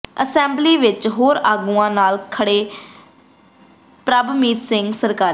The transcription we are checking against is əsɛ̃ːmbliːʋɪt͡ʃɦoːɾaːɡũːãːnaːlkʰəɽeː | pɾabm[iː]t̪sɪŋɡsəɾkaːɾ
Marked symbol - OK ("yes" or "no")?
yes